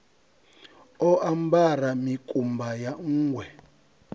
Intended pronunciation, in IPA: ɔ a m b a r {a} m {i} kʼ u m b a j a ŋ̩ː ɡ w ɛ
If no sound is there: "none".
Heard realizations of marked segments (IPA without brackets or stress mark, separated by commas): a, i